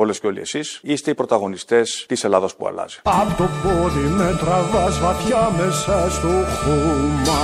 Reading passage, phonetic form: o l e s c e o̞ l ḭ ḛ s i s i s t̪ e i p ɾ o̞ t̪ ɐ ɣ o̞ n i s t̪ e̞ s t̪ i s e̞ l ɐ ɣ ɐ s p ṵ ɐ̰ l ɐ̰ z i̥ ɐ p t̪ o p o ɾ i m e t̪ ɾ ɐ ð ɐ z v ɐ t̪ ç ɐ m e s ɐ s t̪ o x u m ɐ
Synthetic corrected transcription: o l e s c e o̞ l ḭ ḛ s i s i s t̪ e i p ɾ o̞ t̪ ɐ ɣ o̞ n i s t̪ e̞ s t̪ i s e̞ l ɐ ð ɐ s p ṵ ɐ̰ l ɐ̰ z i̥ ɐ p t̪ o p o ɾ i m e t̪ ɾ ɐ v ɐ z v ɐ t̪ ç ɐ m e s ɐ s t̪ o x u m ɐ